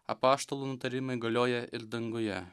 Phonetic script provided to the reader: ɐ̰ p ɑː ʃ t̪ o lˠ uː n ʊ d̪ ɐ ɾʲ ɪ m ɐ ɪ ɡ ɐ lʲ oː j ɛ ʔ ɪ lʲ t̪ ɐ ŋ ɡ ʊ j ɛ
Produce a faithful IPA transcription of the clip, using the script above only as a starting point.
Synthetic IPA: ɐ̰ p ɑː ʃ t̪ o lˠ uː n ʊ t̪ ɐ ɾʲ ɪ m ɐ ɪ ɡ ɐ lʲ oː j ɛ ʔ ɪ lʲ d̪ ɐ ŋ ɡ ʊ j ɛ